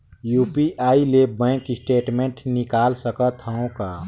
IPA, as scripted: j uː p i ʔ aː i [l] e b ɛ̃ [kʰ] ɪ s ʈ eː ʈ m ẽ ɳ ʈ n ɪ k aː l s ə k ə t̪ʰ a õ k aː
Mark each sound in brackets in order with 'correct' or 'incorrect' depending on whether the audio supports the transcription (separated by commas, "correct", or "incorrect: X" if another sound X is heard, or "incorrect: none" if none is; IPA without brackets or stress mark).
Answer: correct, incorrect: k